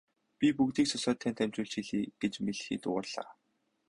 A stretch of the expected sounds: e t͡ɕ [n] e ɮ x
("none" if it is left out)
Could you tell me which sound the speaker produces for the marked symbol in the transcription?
m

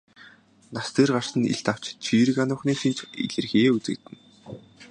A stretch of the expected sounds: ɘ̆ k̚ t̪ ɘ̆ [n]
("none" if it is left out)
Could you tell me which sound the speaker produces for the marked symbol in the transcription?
n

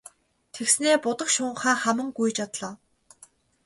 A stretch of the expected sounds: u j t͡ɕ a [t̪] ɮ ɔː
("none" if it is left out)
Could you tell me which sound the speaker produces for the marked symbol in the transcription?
t̪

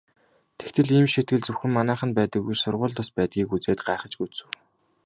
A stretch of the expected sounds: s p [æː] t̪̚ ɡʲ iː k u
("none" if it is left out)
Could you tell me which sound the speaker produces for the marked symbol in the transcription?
æː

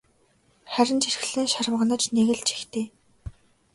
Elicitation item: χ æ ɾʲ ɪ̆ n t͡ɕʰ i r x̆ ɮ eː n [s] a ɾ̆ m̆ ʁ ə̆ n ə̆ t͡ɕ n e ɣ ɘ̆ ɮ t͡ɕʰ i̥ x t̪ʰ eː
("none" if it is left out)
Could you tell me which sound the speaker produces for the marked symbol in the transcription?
ʃ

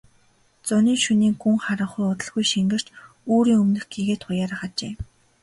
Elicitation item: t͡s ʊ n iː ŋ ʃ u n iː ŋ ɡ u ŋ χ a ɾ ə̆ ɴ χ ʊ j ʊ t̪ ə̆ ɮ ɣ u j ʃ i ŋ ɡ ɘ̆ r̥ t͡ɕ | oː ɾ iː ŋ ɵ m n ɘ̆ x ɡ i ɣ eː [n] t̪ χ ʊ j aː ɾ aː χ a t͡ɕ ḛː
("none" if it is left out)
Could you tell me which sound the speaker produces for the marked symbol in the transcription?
none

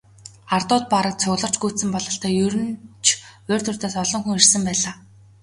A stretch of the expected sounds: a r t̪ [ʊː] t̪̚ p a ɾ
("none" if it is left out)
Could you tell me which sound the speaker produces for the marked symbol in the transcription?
ʊː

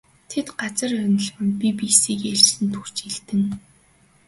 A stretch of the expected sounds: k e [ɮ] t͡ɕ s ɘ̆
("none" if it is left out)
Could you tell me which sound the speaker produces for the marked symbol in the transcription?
ɮ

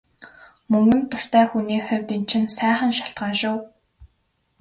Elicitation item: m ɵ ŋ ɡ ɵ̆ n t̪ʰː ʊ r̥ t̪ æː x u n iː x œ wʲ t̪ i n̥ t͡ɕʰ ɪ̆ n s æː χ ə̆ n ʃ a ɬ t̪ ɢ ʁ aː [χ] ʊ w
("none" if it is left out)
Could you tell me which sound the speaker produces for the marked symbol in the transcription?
ʃ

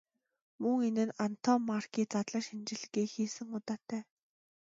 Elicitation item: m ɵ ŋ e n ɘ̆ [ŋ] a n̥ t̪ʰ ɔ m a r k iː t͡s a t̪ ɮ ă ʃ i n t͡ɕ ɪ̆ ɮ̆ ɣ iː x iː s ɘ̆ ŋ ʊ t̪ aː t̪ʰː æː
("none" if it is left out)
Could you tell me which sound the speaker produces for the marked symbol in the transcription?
n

